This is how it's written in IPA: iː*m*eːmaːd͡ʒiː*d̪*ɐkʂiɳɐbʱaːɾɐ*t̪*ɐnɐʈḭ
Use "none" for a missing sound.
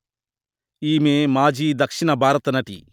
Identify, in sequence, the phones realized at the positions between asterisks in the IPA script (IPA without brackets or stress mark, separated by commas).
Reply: m, d̪, t̪